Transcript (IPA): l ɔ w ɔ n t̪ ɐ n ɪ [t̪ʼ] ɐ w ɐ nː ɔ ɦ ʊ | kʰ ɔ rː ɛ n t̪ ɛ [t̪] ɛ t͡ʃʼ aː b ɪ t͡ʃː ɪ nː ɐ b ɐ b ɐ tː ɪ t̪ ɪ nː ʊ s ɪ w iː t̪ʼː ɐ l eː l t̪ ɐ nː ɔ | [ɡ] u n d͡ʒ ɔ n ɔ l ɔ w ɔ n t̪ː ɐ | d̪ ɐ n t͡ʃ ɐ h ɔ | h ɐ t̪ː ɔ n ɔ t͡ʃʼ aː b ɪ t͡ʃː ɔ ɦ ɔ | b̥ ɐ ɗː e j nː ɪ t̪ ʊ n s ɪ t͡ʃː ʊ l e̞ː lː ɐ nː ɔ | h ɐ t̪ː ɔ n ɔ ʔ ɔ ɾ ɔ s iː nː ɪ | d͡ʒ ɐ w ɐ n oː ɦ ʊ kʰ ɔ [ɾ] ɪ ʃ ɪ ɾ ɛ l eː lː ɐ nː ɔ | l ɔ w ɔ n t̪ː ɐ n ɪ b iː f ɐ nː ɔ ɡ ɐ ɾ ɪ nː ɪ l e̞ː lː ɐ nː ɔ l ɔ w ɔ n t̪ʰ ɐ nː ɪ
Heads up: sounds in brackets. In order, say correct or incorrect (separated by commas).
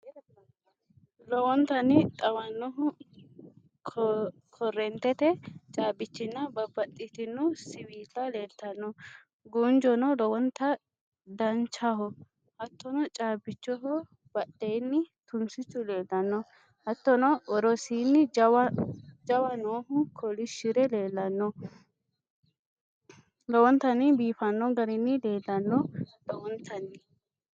correct, correct, correct, incorrect